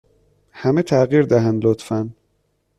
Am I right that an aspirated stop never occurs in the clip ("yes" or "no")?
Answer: no